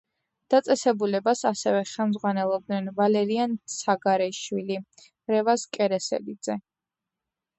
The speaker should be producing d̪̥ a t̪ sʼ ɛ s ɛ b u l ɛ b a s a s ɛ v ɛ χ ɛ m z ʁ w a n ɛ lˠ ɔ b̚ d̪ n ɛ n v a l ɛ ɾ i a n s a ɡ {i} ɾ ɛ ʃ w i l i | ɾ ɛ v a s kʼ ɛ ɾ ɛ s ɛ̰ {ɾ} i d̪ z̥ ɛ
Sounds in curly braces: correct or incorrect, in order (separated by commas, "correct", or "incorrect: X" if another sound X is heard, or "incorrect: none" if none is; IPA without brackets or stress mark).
incorrect: a, incorrect: l